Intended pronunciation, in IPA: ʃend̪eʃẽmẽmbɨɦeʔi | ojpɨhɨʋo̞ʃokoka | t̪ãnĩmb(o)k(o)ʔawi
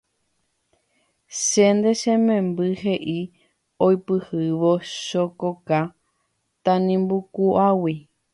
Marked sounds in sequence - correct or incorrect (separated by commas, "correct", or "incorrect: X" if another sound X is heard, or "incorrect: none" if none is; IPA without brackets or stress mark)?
incorrect: u, incorrect: u